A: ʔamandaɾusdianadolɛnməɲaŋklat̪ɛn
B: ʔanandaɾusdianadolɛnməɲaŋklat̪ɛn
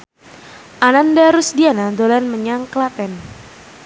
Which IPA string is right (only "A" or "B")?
B